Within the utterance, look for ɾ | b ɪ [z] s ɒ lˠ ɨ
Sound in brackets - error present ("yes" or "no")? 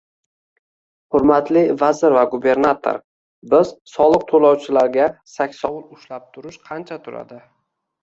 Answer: no